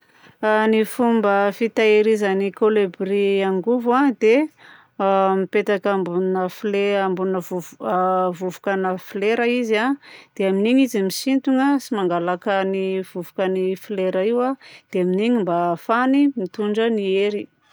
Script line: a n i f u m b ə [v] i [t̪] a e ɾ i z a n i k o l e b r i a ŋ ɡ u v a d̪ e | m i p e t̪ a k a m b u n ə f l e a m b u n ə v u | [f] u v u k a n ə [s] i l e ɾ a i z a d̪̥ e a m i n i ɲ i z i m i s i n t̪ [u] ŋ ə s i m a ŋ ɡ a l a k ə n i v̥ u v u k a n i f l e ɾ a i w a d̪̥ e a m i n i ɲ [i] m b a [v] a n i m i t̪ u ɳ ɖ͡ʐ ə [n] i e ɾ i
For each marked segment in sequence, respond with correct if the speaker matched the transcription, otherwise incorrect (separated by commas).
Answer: incorrect, correct, incorrect, incorrect, correct, correct, incorrect, correct